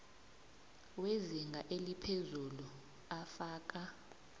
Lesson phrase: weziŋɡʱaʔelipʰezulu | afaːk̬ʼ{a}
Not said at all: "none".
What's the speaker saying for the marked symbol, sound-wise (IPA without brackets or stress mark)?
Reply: a